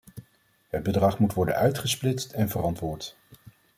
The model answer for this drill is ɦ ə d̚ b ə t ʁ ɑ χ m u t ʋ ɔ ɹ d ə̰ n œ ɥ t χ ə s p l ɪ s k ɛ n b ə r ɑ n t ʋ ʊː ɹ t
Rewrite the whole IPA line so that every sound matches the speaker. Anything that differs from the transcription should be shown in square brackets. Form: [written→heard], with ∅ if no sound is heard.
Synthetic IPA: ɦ ə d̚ b ə [t→d] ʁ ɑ χ m u t ʋ ɔ ɹ d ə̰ n œ ɥ t χ ə s p l ɪ s [k→t] ɛ n [b→v] ə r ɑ n t ʋ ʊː ɹ t